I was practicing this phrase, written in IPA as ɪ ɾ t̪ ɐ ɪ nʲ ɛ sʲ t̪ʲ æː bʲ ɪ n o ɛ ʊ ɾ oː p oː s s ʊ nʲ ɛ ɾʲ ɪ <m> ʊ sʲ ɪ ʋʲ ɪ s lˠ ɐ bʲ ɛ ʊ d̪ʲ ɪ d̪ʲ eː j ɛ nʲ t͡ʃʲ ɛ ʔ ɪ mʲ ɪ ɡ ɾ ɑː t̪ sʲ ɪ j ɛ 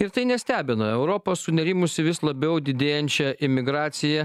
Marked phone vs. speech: correct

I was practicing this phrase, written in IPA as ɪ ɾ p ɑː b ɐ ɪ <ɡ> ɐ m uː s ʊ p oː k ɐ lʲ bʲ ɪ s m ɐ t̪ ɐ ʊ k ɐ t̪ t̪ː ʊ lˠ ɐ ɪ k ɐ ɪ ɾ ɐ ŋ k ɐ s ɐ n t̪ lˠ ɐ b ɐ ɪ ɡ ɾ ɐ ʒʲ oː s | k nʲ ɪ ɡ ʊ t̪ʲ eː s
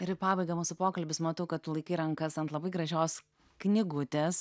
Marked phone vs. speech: correct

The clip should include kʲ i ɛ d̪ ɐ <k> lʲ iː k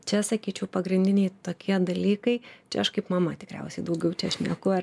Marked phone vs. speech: incorrect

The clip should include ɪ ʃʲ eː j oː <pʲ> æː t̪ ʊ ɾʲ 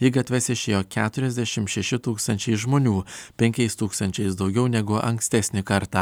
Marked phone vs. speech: incorrect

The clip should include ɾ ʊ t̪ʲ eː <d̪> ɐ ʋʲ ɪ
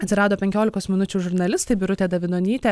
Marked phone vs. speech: correct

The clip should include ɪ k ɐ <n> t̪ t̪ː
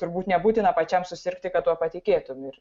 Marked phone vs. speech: incorrect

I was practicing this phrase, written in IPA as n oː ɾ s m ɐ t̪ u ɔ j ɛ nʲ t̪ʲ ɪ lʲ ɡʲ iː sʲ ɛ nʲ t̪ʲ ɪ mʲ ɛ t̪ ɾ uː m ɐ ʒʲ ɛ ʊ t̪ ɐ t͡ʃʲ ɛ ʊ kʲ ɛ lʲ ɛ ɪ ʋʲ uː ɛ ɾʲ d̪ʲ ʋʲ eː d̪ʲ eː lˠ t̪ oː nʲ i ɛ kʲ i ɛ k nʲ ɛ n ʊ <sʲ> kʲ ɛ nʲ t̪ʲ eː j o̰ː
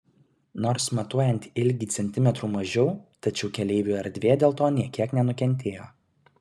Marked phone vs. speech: incorrect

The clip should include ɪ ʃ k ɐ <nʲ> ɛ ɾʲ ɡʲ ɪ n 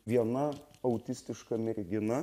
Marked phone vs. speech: incorrect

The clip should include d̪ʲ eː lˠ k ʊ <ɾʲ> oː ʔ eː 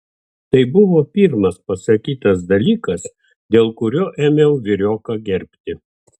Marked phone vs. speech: correct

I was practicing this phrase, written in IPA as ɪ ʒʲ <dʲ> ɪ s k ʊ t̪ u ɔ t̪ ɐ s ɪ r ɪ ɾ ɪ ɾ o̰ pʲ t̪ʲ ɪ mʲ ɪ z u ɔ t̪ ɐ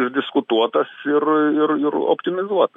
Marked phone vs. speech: correct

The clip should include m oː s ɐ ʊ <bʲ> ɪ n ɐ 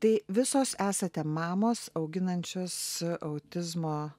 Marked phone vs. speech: incorrect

